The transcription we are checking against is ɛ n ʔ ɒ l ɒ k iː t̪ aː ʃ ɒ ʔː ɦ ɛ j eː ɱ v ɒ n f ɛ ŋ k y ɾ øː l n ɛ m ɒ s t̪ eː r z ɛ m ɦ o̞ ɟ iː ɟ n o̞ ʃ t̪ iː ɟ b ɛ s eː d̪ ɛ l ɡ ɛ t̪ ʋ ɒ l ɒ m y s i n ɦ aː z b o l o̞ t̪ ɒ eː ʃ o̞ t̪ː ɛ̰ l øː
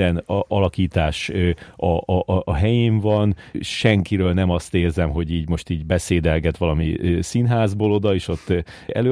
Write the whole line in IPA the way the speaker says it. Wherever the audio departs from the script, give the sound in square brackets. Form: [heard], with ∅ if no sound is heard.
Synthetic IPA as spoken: ɛ n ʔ ɒ l ɒ k iː t̪ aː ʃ ɒ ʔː ɦ ɛ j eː ɱ v ɒ n [ʃ] ɛ ŋ k [i] ɾ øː l n ɛ m ɒ s t̪ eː r z ɛ m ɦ o̞ ɟ iː ɟ [m] o̞ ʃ t̪ iː ɟ b ɛ s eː d̪ ɛ l ɡ ɛ t̪ ʋ ɒ l ɒ m [i] s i n ɦ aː z b o l o̞ [d̪] ɒ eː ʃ o̞ t̪ː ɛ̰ l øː